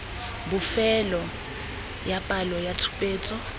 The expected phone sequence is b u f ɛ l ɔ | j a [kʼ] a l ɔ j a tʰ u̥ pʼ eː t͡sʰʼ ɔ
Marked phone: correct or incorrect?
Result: incorrect: pʼ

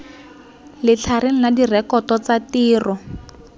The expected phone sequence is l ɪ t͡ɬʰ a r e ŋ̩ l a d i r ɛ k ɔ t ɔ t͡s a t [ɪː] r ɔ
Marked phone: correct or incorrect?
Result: incorrect: iː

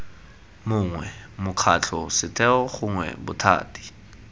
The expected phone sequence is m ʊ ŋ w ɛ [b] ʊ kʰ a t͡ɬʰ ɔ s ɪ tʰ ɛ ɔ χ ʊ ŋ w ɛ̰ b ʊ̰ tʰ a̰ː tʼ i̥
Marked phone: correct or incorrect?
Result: incorrect: m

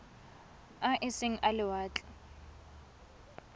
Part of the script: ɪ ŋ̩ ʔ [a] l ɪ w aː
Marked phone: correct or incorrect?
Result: correct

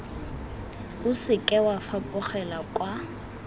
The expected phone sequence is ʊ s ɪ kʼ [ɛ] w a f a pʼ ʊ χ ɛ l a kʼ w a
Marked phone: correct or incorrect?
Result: correct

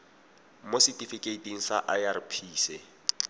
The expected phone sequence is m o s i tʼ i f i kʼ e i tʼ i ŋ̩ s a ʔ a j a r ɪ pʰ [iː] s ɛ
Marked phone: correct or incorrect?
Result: correct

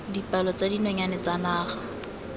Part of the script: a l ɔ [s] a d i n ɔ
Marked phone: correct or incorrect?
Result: incorrect: t͡s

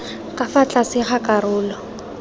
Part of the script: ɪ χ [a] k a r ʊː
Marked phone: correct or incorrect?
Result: correct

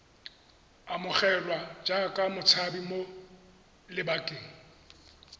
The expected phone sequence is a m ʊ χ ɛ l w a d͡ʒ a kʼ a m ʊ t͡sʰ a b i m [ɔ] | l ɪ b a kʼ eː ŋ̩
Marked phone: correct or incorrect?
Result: incorrect: o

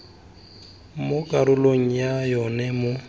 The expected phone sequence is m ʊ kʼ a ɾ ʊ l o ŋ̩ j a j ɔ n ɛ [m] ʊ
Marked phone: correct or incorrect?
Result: correct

